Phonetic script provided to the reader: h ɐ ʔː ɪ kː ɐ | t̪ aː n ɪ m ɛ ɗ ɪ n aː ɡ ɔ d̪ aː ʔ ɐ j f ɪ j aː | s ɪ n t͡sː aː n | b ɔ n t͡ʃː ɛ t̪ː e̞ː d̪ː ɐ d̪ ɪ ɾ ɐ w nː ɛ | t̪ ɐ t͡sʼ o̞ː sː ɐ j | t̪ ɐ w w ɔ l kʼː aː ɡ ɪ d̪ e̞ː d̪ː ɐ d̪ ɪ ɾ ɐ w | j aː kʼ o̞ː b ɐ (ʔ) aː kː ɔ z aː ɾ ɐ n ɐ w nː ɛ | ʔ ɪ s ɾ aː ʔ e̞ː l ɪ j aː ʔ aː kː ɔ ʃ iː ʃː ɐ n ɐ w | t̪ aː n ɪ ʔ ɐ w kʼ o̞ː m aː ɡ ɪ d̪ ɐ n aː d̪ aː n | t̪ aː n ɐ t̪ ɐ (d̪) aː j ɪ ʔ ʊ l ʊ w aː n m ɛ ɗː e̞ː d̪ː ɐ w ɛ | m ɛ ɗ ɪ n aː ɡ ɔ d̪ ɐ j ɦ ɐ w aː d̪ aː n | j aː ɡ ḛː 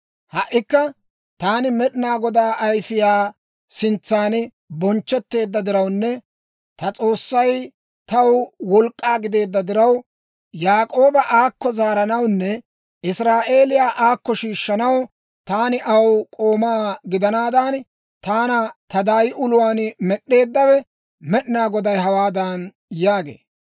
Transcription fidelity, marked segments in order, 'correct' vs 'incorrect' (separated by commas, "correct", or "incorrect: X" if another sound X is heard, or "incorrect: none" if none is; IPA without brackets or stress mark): correct, correct